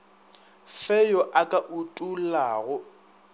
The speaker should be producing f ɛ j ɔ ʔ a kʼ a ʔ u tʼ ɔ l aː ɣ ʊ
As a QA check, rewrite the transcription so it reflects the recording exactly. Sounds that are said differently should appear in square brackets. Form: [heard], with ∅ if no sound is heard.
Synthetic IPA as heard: f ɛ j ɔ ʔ a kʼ a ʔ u tʼ [u] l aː ɣ ʊ